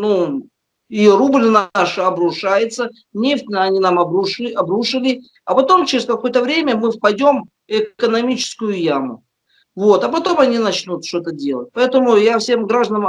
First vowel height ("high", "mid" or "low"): high